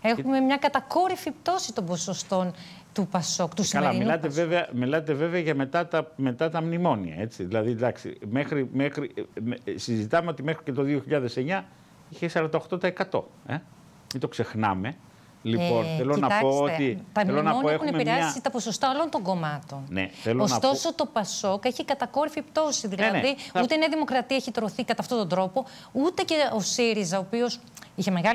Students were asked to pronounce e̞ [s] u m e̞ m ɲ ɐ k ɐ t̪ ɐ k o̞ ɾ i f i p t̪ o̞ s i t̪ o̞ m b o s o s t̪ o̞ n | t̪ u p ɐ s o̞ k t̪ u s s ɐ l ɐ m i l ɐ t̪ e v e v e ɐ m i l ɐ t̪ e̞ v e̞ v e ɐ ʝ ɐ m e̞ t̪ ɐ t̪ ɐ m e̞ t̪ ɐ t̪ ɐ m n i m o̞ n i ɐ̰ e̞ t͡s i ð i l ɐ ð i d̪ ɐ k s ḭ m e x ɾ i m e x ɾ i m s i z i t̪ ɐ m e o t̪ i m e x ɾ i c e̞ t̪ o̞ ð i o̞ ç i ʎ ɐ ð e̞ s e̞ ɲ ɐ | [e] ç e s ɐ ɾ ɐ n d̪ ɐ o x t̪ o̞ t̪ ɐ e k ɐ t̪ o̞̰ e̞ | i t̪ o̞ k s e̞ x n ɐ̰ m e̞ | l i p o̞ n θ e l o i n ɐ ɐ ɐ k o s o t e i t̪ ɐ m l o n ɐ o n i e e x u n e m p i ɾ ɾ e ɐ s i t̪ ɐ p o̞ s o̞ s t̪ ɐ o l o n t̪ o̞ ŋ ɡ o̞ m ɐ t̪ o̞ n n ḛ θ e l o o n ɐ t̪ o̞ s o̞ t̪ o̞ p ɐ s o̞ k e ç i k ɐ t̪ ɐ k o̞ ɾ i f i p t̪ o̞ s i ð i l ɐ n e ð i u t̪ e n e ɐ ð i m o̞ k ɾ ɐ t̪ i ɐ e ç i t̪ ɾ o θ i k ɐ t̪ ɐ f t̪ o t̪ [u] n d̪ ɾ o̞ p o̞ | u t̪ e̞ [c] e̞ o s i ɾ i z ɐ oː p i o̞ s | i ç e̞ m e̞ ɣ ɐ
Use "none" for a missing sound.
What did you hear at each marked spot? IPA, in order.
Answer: x, i, o, c

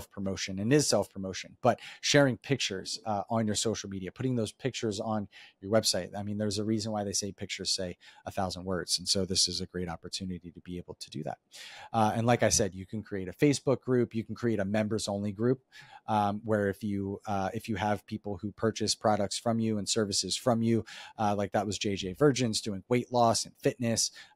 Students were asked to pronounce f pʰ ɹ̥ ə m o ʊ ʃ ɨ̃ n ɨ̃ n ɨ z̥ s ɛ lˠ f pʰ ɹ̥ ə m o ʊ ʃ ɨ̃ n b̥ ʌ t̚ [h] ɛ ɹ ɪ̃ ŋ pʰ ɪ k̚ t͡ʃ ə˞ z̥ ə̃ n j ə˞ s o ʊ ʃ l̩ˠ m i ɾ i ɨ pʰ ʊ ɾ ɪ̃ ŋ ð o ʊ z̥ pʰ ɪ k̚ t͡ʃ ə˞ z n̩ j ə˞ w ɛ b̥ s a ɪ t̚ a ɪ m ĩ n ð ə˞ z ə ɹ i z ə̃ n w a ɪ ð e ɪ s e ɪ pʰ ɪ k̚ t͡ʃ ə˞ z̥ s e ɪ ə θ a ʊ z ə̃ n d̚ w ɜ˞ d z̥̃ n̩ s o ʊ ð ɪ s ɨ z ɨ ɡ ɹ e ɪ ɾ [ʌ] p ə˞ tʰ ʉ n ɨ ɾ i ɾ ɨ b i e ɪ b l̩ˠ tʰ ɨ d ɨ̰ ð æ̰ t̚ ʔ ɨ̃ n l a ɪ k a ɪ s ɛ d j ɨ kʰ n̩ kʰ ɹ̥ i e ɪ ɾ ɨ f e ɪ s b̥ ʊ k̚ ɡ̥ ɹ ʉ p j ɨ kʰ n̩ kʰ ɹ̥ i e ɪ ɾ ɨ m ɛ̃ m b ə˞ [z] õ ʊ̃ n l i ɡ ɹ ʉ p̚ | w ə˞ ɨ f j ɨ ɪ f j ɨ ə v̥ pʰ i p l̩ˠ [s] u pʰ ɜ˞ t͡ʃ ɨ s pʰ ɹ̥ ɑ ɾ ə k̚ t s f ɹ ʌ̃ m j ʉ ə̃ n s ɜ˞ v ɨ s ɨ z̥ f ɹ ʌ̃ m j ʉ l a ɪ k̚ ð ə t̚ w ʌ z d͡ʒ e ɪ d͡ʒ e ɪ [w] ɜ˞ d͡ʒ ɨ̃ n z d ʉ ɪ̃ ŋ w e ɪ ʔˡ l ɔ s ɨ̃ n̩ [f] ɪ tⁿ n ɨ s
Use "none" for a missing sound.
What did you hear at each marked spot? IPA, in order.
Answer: ʃ, ɑ, z, h, v, f

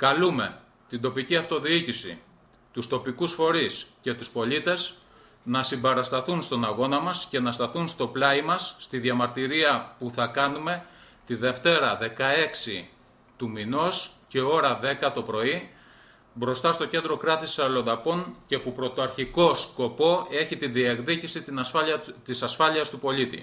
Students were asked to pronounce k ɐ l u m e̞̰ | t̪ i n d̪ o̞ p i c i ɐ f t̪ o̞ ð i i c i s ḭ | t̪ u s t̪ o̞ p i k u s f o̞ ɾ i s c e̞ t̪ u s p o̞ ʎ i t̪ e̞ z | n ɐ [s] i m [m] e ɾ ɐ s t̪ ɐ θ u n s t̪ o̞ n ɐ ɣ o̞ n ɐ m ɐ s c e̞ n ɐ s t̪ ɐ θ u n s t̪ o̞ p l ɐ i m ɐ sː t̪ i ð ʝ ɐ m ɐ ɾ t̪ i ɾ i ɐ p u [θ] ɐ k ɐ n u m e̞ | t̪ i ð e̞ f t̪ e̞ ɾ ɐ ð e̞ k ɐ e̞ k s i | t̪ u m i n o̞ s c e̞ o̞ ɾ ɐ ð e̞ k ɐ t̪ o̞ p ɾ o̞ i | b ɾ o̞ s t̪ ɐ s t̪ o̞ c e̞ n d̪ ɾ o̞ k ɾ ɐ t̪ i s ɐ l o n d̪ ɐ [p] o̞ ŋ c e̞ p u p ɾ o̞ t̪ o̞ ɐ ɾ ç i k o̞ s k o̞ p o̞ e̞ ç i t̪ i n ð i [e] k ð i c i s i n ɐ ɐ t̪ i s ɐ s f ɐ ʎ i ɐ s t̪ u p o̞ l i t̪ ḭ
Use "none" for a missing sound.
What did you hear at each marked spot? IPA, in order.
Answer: s, b, θ, p, e

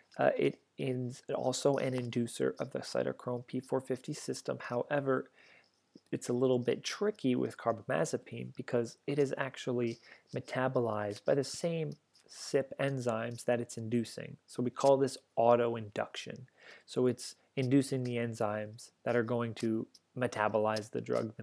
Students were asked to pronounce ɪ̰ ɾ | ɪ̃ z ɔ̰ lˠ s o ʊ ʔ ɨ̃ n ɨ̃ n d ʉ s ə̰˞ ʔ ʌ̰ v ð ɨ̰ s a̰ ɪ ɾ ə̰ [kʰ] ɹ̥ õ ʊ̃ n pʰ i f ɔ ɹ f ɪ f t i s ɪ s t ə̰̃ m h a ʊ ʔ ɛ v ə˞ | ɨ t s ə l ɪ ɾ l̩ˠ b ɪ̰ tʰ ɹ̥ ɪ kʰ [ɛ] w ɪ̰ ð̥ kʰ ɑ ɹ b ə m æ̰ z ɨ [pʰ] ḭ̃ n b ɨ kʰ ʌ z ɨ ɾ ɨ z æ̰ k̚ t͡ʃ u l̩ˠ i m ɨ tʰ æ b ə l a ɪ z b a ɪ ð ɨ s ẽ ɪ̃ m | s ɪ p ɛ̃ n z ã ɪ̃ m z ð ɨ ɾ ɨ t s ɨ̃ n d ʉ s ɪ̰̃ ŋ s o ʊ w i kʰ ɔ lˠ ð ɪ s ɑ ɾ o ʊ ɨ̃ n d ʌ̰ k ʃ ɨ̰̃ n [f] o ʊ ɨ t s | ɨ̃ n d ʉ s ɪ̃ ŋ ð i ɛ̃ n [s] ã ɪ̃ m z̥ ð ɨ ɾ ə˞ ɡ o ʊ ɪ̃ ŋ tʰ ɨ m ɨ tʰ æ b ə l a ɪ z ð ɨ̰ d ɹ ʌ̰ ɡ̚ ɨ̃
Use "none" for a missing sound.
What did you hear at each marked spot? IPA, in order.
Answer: kʰ, i, pʰ, s, z

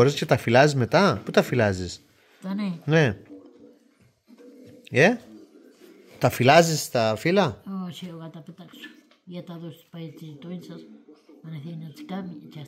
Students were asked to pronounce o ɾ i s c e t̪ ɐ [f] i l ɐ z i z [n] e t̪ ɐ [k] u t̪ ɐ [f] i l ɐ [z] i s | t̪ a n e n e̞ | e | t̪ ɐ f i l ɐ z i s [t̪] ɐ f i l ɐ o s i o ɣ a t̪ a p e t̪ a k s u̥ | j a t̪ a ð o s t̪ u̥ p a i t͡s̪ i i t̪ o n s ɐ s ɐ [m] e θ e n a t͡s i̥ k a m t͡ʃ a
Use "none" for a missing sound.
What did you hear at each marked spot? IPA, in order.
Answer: f, m, p, f, z, t̪, n

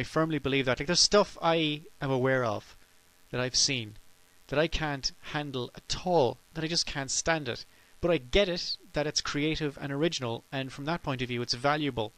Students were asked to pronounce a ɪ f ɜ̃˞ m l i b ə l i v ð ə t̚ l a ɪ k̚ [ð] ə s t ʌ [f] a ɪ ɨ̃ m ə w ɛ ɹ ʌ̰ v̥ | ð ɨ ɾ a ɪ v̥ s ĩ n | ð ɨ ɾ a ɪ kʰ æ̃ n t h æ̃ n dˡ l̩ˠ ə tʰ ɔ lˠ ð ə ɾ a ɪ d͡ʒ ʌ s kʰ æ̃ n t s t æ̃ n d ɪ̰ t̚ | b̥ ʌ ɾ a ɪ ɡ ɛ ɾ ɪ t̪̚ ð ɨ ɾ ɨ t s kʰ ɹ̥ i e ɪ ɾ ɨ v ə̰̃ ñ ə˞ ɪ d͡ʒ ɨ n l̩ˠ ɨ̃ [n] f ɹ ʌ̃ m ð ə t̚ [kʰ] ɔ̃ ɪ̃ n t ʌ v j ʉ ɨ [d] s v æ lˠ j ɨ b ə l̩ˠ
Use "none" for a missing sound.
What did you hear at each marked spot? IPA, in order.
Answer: ð, f, n, pʰ, t

